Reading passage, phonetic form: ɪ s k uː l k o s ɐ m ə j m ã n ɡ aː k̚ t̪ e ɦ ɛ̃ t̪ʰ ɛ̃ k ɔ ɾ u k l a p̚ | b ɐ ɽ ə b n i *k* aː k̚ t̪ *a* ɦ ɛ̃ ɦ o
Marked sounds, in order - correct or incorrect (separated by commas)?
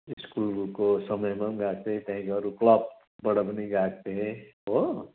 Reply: incorrect, incorrect